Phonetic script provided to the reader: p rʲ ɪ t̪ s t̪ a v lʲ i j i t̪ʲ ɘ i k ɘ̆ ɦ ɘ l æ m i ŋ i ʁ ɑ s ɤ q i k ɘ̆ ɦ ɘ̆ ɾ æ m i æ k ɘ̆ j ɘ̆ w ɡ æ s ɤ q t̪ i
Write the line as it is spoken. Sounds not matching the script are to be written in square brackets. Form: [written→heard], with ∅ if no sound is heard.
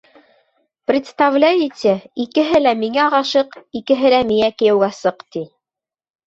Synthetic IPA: p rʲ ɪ t̪ s t̪ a v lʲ [i→æ] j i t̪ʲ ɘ i k ɘ̆ ɦ ɘ l æ m i ŋ [i→æ] ʁ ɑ [s→ʃ] ɤ q i k ɘ̆ ɦ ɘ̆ [ɾ→l] æ m i æ k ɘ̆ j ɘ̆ w ɡ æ s ɤ q t̪ i